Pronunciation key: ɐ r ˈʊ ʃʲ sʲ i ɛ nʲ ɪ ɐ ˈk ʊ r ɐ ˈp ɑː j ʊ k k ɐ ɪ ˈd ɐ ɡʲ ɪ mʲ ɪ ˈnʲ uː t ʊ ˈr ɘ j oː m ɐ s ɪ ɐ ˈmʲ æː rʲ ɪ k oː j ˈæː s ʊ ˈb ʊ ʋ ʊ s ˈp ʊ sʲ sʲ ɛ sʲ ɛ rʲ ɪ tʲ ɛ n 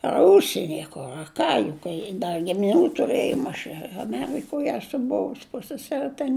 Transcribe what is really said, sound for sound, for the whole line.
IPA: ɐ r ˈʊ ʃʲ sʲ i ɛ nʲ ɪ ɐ ˈk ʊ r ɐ ˈk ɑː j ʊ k k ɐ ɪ ˈd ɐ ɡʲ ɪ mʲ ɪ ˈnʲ uː t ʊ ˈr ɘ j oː m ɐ ʃ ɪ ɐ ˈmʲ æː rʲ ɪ k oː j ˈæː s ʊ ˈb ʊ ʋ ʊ s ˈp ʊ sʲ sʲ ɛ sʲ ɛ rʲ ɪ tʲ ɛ n